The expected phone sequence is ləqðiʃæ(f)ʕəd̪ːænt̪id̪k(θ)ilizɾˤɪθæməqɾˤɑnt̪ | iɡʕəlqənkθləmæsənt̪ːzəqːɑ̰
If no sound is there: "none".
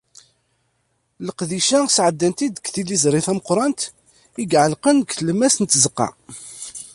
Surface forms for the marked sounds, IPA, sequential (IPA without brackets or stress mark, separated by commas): s, θ